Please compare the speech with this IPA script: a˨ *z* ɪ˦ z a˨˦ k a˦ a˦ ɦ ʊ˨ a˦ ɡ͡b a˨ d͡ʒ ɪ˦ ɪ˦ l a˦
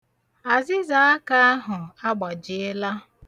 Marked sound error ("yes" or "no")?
no